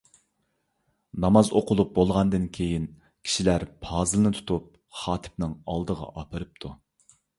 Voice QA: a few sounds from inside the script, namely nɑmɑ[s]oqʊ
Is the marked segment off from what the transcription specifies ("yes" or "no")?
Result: yes